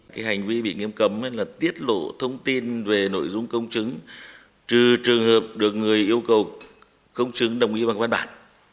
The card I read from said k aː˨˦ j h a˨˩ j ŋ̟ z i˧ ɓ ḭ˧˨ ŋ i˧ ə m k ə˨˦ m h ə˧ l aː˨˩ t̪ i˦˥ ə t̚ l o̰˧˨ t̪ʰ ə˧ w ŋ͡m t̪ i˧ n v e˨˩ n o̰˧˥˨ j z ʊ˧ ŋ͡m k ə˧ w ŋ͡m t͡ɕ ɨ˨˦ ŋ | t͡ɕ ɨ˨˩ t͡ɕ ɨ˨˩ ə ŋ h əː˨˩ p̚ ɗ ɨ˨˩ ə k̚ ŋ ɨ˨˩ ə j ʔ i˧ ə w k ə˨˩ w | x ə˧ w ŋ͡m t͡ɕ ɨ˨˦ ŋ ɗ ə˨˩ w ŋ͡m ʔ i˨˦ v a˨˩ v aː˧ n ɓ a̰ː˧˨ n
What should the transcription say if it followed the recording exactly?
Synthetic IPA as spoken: k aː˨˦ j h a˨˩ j ŋ̟ v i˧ ɓ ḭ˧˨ ŋ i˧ ə m k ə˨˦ m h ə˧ l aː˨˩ t̪ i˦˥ ə t̚ l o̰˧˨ t̪ʰ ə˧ w ŋ͡m t̪ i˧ n v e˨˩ n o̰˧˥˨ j z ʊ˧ ŋ͡m k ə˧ w ŋ͡m t͡ɕ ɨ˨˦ ŋ | t͡ɕ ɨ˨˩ t͡ɕ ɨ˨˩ ə ŋ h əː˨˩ p̚ ɗ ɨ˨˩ ə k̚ ŋ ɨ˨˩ ə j ʔ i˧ ə w k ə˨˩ w | k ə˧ w ŋ͡m t͡ɕ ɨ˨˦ ŋ ɗ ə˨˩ w ŋ͡m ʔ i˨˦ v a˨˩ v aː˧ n ɓ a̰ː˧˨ n